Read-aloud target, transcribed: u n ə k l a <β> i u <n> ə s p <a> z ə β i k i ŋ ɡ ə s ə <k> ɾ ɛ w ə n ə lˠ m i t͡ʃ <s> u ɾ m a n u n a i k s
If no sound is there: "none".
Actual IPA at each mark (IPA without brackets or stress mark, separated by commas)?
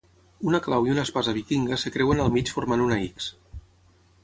w, n, a, k, f